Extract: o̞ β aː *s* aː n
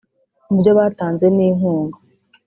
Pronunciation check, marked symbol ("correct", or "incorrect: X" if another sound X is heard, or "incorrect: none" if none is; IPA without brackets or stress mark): incorrect: t